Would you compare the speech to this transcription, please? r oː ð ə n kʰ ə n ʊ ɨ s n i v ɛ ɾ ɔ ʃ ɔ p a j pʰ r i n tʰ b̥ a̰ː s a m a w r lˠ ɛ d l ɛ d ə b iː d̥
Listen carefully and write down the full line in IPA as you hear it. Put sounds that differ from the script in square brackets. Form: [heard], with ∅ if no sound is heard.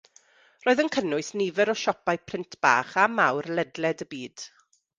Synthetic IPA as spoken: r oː ð ə n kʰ ə n ʊ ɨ s n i v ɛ ɾ ɔ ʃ ɔ p a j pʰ r [ɪ] n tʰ b̥ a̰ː [χ] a m a w r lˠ ɛ d l ɛ d ə b iː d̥